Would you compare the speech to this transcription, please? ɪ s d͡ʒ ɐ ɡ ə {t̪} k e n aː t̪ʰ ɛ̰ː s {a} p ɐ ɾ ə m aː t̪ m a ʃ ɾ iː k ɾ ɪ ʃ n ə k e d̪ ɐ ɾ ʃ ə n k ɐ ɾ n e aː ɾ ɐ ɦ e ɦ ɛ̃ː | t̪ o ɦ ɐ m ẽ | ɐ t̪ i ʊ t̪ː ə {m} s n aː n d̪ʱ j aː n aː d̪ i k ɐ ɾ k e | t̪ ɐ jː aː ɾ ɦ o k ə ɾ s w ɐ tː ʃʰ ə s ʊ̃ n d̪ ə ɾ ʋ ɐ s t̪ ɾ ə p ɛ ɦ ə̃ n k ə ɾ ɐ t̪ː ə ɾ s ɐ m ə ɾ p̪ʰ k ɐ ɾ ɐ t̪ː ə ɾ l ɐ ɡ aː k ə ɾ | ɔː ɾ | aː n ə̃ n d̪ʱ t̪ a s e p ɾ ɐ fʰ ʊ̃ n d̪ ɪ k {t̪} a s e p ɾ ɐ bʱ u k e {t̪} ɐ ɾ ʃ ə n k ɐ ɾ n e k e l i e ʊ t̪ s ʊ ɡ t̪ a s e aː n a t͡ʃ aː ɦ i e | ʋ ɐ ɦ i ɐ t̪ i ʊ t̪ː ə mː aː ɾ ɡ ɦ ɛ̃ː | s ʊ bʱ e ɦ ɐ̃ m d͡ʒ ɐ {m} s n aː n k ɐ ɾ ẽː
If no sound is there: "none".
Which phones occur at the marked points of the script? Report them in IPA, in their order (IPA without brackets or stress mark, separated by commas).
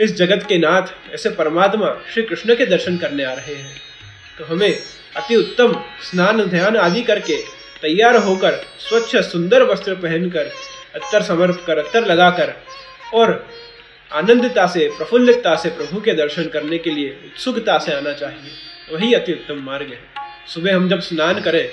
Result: t̪, e, m, t̪, d̪, b